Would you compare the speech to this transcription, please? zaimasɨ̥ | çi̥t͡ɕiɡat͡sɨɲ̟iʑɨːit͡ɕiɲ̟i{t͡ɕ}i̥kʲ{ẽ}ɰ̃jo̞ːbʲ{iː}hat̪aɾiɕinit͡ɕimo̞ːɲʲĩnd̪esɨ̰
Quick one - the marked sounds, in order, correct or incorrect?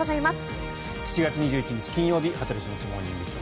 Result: correct, incorrect: ĩ, incorrect: i

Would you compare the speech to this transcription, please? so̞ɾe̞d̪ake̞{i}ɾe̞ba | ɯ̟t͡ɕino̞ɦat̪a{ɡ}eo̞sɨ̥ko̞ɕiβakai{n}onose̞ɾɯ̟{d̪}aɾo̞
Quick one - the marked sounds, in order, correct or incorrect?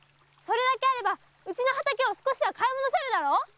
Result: incorrect: a, incorrect: k, incorrect: m, correct

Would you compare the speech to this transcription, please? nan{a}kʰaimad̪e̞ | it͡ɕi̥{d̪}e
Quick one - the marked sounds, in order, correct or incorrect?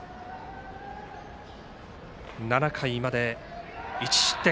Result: correct, incorrect: t̪

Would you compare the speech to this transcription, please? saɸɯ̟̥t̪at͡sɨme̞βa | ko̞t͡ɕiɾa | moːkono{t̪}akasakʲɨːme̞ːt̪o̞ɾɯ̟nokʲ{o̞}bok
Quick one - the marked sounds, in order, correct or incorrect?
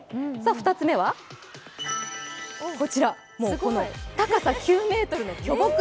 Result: correct, correct

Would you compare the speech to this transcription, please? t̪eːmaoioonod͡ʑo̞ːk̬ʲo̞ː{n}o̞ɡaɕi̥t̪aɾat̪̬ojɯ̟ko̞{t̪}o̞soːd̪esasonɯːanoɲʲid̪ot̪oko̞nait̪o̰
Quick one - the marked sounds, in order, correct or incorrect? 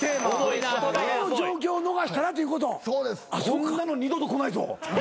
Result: correct, correct

